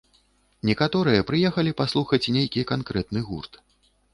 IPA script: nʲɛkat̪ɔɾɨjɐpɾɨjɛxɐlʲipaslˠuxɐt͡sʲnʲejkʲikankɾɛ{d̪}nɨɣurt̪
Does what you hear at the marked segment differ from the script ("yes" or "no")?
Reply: yes